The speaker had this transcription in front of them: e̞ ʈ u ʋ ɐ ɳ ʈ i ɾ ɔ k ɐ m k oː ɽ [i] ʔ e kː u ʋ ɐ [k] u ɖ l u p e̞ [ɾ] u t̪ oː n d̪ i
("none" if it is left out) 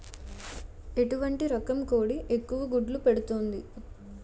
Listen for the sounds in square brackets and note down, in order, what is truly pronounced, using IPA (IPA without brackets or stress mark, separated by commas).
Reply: i, ɡ, ɽ